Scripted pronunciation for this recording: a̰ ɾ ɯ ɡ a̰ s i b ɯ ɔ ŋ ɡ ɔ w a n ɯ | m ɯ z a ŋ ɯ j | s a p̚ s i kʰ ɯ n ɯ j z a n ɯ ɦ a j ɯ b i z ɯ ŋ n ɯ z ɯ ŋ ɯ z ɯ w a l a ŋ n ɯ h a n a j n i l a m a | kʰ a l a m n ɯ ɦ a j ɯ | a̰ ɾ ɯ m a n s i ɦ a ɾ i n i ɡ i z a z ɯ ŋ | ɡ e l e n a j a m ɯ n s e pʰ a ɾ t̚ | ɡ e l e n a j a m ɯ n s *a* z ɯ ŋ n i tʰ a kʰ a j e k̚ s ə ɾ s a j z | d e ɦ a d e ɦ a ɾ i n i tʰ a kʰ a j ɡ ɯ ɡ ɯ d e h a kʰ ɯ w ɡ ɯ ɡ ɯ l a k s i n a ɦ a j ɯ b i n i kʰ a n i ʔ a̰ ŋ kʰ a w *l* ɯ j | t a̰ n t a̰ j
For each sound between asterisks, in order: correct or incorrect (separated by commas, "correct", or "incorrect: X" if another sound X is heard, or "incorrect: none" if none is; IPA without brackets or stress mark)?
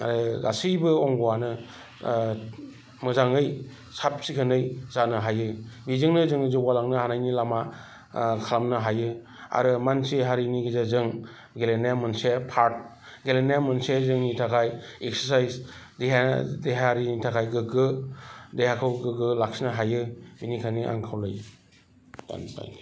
incorrect: e, correct